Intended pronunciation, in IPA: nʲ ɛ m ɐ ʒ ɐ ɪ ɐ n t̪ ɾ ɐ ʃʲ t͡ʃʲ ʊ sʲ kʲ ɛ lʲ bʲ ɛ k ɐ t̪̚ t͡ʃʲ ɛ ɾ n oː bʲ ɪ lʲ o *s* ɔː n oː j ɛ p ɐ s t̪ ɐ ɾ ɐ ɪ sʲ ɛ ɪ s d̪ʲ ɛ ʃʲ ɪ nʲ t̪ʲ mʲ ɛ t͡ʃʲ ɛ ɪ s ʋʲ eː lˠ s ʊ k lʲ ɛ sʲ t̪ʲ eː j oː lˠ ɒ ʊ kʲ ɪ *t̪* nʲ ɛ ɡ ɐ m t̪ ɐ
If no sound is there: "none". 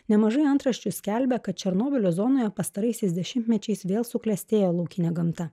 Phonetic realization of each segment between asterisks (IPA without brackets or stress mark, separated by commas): z, none